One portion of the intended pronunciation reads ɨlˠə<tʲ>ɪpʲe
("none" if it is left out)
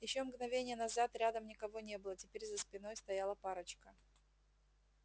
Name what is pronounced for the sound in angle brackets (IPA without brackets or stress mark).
tʲ